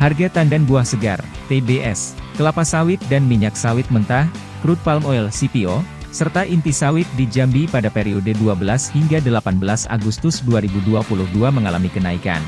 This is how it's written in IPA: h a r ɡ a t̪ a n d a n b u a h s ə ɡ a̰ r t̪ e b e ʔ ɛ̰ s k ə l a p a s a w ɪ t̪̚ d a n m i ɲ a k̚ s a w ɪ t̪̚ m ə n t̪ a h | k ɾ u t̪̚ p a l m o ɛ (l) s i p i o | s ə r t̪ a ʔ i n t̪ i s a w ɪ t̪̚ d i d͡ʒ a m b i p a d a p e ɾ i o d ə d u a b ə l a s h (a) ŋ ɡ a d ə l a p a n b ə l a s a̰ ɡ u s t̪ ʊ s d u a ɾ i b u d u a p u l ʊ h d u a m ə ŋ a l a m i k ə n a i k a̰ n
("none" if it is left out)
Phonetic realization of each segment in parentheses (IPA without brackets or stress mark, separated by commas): l, i